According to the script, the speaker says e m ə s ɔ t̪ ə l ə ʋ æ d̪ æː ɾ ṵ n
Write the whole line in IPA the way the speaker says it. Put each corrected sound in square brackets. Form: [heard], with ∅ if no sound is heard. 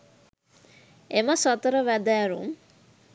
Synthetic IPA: e m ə s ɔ t̪ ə [ɾ] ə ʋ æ d̪ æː ɾ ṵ [m]